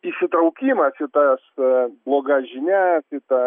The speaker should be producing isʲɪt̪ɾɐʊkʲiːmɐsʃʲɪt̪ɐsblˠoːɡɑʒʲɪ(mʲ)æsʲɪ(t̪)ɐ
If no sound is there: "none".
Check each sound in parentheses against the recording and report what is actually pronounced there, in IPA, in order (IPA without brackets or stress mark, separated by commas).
nʲ, t̪